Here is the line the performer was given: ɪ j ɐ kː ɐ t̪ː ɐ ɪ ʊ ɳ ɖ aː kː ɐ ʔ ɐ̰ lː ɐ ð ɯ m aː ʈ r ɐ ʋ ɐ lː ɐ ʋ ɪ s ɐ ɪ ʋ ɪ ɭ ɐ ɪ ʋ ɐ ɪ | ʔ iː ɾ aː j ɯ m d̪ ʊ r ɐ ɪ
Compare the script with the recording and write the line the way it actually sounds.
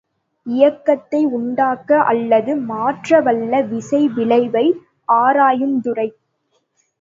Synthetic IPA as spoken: ɪ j ɐ kː ɐ t̪ː ɐ ɪ ʊ ɳ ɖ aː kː ɐ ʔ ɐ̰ lː ɐ ð ɯ m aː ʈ r ɐ ʋ ɐ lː ɐ ʋ ɪ s ɐ ɪ ʋ ɪ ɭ ɐ ɪ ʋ ɐ ɪ | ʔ aː ɾ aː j ɯ m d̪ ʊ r ɐ ɪ

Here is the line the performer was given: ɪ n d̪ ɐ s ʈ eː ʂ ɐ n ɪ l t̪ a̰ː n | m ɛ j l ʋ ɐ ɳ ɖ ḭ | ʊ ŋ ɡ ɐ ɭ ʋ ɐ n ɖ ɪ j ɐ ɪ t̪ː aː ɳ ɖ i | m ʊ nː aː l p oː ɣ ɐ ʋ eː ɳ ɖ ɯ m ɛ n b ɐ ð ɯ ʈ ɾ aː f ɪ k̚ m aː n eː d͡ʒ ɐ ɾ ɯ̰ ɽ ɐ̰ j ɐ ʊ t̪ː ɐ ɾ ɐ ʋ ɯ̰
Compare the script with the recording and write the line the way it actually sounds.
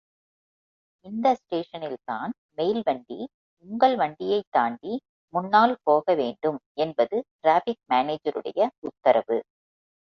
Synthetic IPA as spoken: ɪ n d̪ ɐ s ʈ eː ʂ ɐ n ɪ l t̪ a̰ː n | m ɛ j l ʋ ɐ ɳ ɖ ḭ | ʊ ŋ ɡ ɐ ɭ ʋ ɐ ɳ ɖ ɪ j ɐ ɪ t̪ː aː ɳ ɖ i | m ʊ nː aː l p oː ɣ ɐ ʋ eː ɳ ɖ ɯ m ɛ n b ɐ ð ɯ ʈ ɾ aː f ɪ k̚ m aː n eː d͡ʒ ɐ ɾ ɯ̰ ɽ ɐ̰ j ɐ ʊ t̪ː ɐ ɾ ɐ ʋ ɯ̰

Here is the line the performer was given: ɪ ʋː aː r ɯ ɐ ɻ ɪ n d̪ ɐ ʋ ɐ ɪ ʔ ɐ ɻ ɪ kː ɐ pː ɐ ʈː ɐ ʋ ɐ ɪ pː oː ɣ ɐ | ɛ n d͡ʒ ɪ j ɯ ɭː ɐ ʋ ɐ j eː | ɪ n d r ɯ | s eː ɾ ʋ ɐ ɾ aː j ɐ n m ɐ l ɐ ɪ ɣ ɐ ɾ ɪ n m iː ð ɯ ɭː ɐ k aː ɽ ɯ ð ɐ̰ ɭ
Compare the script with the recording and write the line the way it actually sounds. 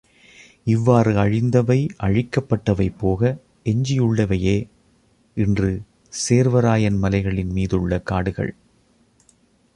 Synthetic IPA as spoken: ɪ ʋː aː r ɯ ɐ ɻ ɪ n d̪ ɐ ʋ ɐ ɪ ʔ ɐ ɻ ɪ kː ɐ pː ɐ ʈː ɐ ʋ ɐ ɪ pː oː ɣ ɐ | ɛ ɲ d͡ʒ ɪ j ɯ ɭː ɐ ʋ ɐ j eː | ɪ n d r ɯ | s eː ɾ ʋ ɐ ɾ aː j ɐ n m ɐ l ɐ ɪ ɣ ɐ ɭ ɪ n m iː ð ɯ ɭː ɐ k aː ɽ ɯ ɣ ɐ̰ ɭ

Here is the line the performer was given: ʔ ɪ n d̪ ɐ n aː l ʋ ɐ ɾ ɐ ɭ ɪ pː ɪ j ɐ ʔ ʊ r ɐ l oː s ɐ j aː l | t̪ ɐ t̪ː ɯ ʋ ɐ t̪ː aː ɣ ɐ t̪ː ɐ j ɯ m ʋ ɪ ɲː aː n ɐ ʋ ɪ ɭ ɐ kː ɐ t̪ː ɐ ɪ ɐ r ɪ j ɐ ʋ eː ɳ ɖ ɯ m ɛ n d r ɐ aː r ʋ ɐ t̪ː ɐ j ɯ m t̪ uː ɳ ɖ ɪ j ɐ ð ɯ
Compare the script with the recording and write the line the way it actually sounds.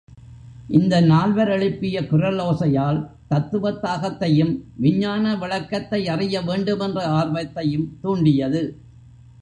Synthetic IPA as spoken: ʔ ɪ n d̪ ɐ n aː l ʋ ɐ ɾ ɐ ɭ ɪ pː ɪ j ɐ k ʊ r ɐ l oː s ɐ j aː l | t̪ ɐ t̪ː ɯ ʋ ɐ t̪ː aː ɣ ɐ t̪ː ɐ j ɯ m ʋ ɪ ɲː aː n ɐ ʋ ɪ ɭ ɐ kː ɐ t̪ː ɐ ɪ ɐ r ɪ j ɐ ʋ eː ɳ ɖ ɯ m ɛ n d r ɐ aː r ʋ ɐ t̪ː ɐ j ɯ m t̪ uː ɳ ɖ ɪ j ɐ ð ɯ

